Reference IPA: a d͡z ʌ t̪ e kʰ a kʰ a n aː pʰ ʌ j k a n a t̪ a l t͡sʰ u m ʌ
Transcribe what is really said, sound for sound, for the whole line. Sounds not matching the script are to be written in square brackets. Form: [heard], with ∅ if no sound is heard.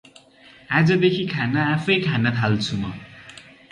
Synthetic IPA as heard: a d͡z ʌ [d̪] e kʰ [i] kʰ a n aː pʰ ʌ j [kʰ] a n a [t̪ʰ] a l t͡sʰ u m ʌ